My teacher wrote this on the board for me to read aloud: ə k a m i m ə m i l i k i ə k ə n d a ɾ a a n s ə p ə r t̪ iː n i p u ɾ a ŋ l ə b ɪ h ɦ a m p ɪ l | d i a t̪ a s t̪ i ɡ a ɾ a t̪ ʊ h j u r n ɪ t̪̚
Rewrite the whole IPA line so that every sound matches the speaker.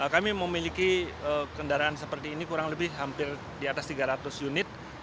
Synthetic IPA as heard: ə k a m i m ə m i l i k i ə k ə n d a ɾ a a n s ə p ə r t̪ iː n i k u ɾ a ŋ l ə b ɪ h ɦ a m p ɪ r | d i a t̪ a s t̪ i ɡ a ɾ a t̪ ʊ s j u n ɪ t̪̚